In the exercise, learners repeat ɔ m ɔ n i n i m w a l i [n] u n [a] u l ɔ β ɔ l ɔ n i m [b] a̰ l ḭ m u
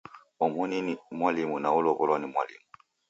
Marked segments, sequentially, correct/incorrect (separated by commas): incorrect, correct, incorrect